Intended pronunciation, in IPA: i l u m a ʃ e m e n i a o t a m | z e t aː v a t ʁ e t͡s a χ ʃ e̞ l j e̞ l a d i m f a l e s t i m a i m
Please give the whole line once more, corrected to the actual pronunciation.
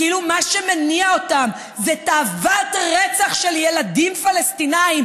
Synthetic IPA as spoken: i l u m a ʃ e m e n i a o t a m | z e t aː v a t ʁ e t͡s a χ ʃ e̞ l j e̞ l a d i m f a l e s t i n a i m